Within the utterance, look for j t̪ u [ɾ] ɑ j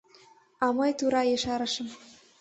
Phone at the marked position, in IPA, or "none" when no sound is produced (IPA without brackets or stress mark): ɾ